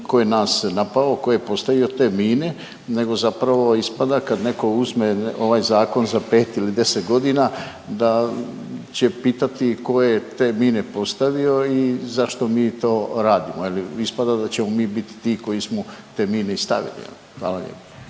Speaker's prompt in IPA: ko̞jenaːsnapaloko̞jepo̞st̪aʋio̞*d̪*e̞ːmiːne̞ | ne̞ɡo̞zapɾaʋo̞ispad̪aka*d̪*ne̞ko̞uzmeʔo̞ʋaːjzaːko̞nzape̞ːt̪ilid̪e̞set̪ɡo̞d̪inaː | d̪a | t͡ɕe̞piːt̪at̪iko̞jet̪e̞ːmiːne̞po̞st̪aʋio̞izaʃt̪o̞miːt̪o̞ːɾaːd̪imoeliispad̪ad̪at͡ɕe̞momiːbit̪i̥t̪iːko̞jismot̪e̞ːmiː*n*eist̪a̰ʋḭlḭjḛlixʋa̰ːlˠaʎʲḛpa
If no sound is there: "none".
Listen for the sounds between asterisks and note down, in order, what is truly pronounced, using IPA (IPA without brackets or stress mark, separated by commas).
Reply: t̪, d̪, n